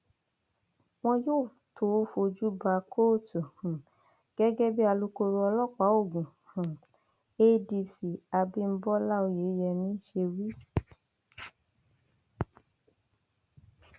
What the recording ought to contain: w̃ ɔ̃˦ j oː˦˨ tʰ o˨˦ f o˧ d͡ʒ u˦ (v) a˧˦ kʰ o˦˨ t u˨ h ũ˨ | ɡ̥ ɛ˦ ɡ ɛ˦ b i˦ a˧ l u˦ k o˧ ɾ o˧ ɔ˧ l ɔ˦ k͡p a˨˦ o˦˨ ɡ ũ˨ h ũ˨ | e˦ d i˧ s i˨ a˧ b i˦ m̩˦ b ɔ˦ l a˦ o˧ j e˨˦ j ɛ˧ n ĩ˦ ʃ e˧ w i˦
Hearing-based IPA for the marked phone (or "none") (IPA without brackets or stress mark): b